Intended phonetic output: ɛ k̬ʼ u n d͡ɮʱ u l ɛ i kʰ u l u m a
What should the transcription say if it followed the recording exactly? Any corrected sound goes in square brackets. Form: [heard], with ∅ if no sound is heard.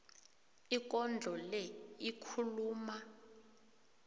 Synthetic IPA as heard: [i] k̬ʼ [ɔ] n d͡ɮʱ [ɔ] l ɛ i kʰ u l [uː] m a